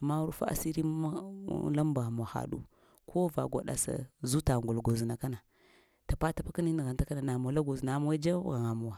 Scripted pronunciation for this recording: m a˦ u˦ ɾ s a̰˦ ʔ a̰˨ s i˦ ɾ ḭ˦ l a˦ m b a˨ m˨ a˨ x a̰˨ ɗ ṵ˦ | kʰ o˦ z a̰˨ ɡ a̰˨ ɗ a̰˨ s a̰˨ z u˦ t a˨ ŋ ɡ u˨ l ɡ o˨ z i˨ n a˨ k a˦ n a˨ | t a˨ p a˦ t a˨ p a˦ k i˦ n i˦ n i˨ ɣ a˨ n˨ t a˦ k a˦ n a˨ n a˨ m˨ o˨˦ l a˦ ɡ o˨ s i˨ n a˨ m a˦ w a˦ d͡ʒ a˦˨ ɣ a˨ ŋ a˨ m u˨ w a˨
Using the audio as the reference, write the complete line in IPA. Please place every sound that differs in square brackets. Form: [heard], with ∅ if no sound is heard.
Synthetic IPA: m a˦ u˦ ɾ [f] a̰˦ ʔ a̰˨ s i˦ ɾ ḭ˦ l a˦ m b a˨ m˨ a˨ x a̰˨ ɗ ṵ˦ | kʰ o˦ [v] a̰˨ ɡ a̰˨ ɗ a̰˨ s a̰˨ z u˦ t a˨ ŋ ɡ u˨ l ɡ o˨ z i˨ n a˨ k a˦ n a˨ | t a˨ p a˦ t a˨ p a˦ k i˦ n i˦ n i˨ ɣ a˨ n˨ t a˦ k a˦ n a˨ n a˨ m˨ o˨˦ l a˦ ɡ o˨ [z] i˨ n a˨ m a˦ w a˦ d͡ʒ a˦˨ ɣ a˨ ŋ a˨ m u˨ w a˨